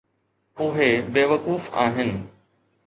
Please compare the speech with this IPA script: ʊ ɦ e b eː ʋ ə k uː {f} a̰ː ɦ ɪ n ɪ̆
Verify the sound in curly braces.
correct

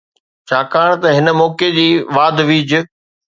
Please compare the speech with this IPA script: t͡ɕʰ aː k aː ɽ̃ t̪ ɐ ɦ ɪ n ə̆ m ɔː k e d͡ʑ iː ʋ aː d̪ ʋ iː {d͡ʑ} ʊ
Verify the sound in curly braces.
correct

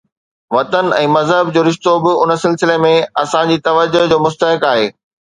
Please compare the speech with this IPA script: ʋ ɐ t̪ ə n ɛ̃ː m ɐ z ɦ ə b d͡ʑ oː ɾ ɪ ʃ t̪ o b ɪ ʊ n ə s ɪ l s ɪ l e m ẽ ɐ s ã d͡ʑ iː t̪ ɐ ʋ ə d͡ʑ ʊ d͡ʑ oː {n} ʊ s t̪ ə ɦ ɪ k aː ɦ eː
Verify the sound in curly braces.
incorrect: m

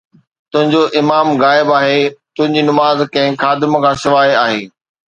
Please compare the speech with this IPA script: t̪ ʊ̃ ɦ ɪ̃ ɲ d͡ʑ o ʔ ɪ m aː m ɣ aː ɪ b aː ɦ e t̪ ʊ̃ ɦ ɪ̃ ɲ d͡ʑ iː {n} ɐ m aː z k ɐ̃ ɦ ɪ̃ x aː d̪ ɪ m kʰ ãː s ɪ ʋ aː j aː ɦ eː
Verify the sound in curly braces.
correct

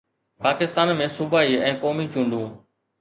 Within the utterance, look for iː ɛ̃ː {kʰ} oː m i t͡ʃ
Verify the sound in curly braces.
incorrect: k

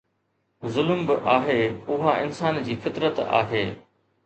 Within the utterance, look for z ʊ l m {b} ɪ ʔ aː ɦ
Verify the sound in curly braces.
correct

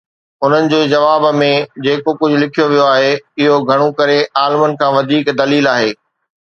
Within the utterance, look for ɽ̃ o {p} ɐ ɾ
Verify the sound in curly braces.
incorrect: k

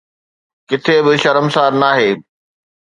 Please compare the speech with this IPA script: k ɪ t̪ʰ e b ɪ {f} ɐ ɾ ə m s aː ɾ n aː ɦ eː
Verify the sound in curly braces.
incorrect: ʃ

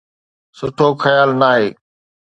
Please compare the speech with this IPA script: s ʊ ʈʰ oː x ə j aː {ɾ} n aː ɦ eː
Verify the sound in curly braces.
incorrect: l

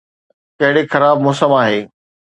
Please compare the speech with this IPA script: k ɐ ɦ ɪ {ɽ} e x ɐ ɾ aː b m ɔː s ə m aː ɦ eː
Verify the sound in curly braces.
correct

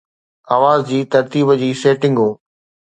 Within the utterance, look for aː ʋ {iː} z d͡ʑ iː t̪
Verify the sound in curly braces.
incorrect: aː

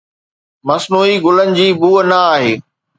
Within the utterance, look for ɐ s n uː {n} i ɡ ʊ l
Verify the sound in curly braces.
incorrect: none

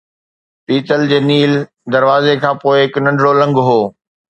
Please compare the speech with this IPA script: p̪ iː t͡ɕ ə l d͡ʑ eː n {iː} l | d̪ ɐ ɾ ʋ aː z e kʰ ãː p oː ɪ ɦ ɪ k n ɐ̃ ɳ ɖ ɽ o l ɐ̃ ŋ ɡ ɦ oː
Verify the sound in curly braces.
correct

